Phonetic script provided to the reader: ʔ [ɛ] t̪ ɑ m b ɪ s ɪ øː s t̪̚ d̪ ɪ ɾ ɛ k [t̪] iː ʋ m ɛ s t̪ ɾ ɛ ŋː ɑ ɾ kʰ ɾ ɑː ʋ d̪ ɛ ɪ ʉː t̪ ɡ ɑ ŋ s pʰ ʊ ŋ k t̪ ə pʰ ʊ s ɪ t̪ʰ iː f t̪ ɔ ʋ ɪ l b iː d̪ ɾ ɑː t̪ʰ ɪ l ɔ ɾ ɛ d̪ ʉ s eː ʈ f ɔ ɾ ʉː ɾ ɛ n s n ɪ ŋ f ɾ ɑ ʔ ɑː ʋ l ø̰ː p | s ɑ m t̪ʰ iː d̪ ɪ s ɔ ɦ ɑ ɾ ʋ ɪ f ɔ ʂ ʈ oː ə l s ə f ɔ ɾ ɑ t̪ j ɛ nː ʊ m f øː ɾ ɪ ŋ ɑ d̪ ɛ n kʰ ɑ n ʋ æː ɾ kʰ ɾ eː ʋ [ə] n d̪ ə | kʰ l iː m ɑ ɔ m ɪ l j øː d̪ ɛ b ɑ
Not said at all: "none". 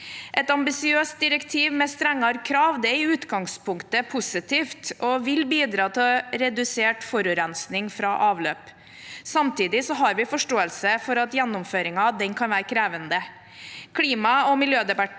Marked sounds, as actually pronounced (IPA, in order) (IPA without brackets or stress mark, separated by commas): ɛ, t̪ʰ, ə